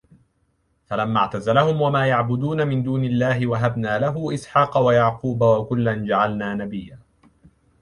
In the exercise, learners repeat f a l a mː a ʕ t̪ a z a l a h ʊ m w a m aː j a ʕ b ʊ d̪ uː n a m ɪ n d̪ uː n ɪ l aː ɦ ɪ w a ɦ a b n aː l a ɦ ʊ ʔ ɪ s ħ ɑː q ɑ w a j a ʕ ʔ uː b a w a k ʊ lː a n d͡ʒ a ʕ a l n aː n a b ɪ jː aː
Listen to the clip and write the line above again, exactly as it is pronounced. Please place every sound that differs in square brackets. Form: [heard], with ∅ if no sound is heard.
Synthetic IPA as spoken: f a l a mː a ʕ t̪ a z a l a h ʊ m w a m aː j a ʕ b ʊ d̪ uː n a m ɪ n d̪ uː n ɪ [lː] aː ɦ ɪ w a ɦ a b n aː l a ɦ ʊ ʔ ɪ s ħ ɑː q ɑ w a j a ʕ [q] uː b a w a k ʊ lː a n d͡ʒ a ʕ a l n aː n a b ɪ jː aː

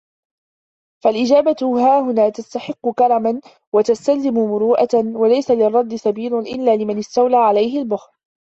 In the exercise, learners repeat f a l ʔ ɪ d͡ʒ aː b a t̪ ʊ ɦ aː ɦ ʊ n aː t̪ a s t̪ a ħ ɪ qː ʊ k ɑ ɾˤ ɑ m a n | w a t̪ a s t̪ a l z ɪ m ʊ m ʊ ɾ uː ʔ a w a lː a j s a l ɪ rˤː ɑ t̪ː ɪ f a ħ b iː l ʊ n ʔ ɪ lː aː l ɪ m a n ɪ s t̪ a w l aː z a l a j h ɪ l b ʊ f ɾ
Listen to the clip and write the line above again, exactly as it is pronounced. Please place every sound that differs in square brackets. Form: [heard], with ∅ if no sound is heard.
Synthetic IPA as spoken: f a l ʔ ɪ d͡ʒ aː b a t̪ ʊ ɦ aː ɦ ʊ n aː t̪ a s t̪ a ħ ɪ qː ʊ k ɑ ɾˤ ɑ m a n | w a t̪ a s t̪ a l z ɪ m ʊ m ʊ ɾ uː ʔ a w a [l] a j s a l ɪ rˤː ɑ [d̪ː] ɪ [s] a [∅] b iː l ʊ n ʔ ɪ lː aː l ɪ m a n ɪ s t̪ a w l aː [ʕ] a l a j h ɪ l b ʊ [x] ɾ

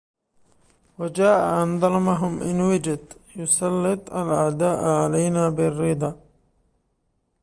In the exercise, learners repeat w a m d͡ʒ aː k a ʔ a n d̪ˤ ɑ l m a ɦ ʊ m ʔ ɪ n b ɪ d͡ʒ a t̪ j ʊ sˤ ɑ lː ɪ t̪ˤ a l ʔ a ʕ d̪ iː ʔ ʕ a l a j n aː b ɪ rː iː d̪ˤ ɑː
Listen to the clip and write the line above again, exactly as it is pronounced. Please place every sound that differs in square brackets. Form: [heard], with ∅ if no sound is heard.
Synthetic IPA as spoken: w a [∅] d͡ʒ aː [ʔ] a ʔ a n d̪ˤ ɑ l m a ɦ ʊ m ʔ ɪ n [w] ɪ d͡ʒ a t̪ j ʊ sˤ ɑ lː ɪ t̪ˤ a l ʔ a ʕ d̪ [aː] ʔ ʕ a l a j n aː b ɪ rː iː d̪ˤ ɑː

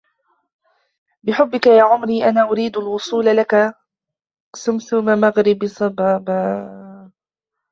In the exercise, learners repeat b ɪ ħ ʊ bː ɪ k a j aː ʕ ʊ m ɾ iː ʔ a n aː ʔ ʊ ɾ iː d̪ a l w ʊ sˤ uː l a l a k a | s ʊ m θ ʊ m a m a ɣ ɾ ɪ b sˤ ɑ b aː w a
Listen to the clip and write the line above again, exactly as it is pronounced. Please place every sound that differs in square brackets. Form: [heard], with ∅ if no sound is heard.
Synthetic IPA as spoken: b ɪ ħ ʊ bː ɪ k a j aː ʕ ʊ m ɾ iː ʔ a n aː ʔ ʊ ɾ iː d̪ a l w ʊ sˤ uː l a l a k a | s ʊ m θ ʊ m a m a ɣ ɾ ɪ b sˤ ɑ b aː [b] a

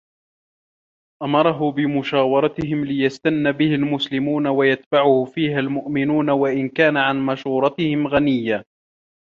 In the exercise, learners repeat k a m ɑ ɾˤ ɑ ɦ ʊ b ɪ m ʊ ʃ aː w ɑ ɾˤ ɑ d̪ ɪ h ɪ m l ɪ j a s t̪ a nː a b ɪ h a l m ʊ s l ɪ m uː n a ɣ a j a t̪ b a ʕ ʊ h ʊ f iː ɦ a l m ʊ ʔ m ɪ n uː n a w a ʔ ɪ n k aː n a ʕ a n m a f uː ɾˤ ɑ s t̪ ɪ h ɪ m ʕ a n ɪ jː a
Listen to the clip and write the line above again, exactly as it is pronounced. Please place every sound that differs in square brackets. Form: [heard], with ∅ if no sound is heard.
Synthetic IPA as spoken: [ʔ] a m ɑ ɾˤ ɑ ɦ ʊ b ɪ m ʊ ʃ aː w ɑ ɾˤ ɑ [t̪] ɪ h ɪ m l ɪ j a s t̪ a nː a b ɪ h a l m ʊ s l ɪ m uː n a [w] a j a t̪ b a ʕ ʊ h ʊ f iː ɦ a l m ʊ ʔ m ɪ n uː n a w a ʔ ɪ n k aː n a ʕ a n m a [ʃ] uː ɾˤ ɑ [∅] t̪ ɪ h ɪ m [ɣ] a n ɪ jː a

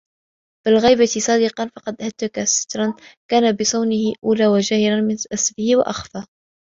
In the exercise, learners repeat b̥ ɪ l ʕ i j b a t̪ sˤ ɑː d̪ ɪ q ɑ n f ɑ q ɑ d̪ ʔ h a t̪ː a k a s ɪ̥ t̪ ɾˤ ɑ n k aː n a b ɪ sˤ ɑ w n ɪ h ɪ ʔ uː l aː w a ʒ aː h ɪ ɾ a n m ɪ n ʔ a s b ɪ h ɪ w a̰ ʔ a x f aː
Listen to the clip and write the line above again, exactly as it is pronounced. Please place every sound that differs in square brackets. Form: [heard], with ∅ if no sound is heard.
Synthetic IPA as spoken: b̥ ɪ l [ɣ] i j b a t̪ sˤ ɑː d̪ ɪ q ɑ n f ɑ q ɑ d̪ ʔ h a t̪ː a k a s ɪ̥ t̪ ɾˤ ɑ n k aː n a b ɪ sˤ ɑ w n ɪ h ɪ ʔ uː l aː w a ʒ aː h ɪ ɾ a n m ɪ n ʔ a s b ɪ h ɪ w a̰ ʔ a x f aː

